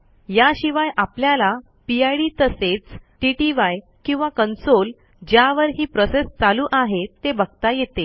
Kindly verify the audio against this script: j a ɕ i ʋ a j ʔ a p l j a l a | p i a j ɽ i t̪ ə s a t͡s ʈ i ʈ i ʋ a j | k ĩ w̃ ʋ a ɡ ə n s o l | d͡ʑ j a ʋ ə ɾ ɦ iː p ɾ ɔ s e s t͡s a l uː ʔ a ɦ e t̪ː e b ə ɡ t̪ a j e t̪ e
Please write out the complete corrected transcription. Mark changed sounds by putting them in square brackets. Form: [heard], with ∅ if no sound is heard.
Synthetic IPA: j a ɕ i ʋ a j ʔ a p l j a l a | p i a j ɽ i t̪ ə s [e] t͡s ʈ i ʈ i ʋ a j | k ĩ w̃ ʋ a [k] ə n s o l | d͡ʑ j a ʋ ə ɾ ɦ iː p ɾ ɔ s e s t͡s a l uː ʔ a ɦ e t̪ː e b ə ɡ t̪ a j e t̪ e

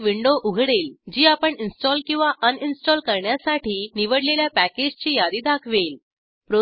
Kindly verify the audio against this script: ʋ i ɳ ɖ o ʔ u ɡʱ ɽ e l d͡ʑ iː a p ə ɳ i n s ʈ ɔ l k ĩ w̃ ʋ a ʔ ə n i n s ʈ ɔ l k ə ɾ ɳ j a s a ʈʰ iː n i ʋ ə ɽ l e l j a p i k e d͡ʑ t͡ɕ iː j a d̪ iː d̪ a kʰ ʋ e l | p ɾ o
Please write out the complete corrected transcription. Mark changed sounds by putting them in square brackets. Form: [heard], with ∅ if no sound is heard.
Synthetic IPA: ʋ i ɳ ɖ o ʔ u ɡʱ ɽ e l d͡ʑ iː a p ə ɳ i n s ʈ ɔ l k ĩ w̃ ʋ a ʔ ə n i n s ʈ ɔ l k ə ɾ ɳ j a s a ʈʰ iː n i ʋ ə ɽ l e l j a p [æ] k e d͡ʑ t͡ɕ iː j a d̪ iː d̪ a kʰ ʋ e l | p ɾ o

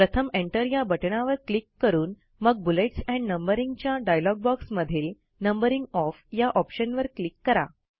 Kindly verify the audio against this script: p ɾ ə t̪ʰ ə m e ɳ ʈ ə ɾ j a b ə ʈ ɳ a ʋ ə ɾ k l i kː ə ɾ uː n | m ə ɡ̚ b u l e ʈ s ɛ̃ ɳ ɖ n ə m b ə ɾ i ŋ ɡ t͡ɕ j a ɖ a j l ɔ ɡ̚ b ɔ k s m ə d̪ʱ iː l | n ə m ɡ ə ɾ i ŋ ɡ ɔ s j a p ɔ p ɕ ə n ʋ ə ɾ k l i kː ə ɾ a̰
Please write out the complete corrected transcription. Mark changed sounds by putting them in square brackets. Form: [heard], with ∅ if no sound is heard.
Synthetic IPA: p ɾ ə t̪ʰ ə m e ɳ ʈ ə ɾ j a b ə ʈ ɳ a ʋ ə ɾ k l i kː ə ɾ uː n | m ə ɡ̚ b u l e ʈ s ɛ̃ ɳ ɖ n ə m b ə ɾ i ŋ ɡ t͡ɕ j a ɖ a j l ɔ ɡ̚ b ɔ k s m ə d̪ʱ iː l | n ə m [b] ə ɾ i ŋ ɡ ɔ [f] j a [ʔ] ɔ p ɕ ə n ʋ ə ɾ k l i kː ə ɾ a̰

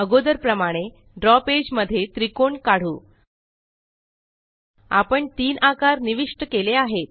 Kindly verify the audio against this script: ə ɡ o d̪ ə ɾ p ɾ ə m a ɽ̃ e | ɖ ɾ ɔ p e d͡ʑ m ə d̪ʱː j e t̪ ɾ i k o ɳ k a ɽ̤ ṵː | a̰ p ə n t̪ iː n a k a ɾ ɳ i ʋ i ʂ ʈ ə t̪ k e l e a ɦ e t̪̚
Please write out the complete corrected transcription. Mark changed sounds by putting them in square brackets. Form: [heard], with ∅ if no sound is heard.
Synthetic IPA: ə ɡ o d̪ ə ɾ p ɾ ə m a ɽ̃ e | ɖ ɾ ɔ p e d͡ʑ m ə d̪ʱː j e t̪ ɾ i k o ɳ k a ɽ̤ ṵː | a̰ p ə [ɳ] t̪ iː n a k a ɾ [n] i ʋ i ʂ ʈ ə [∅] k e l e a ɦ e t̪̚

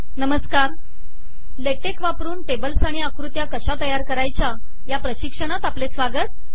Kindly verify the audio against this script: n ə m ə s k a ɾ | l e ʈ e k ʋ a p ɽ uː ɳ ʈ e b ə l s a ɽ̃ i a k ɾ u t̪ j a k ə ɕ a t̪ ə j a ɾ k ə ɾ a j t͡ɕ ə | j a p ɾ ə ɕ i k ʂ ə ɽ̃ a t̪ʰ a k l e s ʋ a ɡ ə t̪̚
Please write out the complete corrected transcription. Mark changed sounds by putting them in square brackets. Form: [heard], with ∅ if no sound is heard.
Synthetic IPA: n ə m ə s k a ɾ | l e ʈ e k ʋ a p [ɾ] uː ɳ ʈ e b ə l s a ɽ̃ i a k ɾ u t̪ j a k ə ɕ a t̪ ə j a ɾ k ə ɾ a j t͡ɕ [a] | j a p ɾ ə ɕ i k ʂ ə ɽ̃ a [t̪] a [p] l e s ʋ a ɡ ə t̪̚

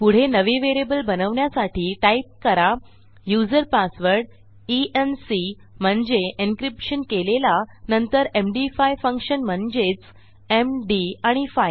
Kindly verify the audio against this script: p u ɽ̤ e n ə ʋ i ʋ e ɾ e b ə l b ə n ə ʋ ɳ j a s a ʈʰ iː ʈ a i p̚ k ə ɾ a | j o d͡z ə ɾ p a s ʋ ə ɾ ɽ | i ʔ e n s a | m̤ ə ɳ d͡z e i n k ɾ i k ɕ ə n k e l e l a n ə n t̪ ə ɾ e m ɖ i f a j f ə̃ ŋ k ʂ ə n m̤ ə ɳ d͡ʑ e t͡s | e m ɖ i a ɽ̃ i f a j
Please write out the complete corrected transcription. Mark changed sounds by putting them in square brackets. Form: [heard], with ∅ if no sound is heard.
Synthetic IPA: p u ɽ̤ e n ə ʋ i ʋ e ɾ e b ə l b ə n ə ʋ ɳ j a s a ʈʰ iː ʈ a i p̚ k ə ɾ a | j [u] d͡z ə ɾ p a s ʋ ə ɾ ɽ | i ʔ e n s [i] | m̤ ə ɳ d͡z e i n k ɾ i [p] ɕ ə n k e l e l a n ə n t̪ ə ɾ e m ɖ i f a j f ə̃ ŋ k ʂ ə n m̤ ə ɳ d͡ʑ e t͡s | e m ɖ i a ɽ̃ i f a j

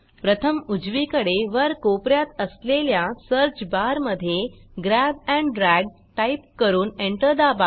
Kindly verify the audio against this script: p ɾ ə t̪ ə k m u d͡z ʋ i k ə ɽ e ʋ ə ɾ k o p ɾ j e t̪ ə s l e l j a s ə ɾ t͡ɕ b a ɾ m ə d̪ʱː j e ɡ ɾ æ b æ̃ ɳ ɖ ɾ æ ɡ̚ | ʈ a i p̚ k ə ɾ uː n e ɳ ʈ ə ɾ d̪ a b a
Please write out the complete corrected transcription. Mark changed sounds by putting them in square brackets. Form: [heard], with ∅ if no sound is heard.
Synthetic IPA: p ɾ ə [t̪ʰ] ə [∅] m u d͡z ʋ i k ə ɽ e ʋ ə ɾ k o p ɾ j [a] t̪ ə s l e l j a s ə ɾ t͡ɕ b a ɾ m ə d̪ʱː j e ɡ ɾ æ b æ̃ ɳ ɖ ɾ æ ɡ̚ | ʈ a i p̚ k ə ɾ uː n e ɳ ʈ ə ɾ d̪ a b a

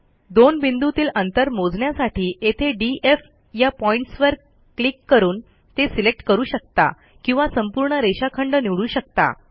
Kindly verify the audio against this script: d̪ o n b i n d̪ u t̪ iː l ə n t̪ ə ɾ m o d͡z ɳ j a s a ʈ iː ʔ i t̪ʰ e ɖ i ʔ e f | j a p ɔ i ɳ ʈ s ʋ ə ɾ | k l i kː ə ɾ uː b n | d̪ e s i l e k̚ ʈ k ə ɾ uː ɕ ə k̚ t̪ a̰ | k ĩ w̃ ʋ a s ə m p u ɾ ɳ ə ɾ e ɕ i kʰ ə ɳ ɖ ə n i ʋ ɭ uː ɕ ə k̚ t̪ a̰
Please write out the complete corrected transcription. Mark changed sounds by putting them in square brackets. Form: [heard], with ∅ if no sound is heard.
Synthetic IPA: d̪ o n b i n d̪ u t̪ iː l ə n t̪ ə ɾ m o d͡z ɳ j a s a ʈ iː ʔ [e] t̪ʰ e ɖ i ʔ e f | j a p ɔ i ɳ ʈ s ʋ ə ɾ | k l i kː ə ɾ uː [∅] n | [t̪] e s i l e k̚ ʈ k ə ɾ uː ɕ ə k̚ t̪ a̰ | k ĩ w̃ ʋ a s ə m p u ɾ ɳ ə ɾ e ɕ [a] kʰ ə ɳ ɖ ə n i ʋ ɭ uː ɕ ə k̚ t̪ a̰

